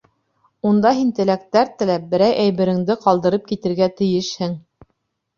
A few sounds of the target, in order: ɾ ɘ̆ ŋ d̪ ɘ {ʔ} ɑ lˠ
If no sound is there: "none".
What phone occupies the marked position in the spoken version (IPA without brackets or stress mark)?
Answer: q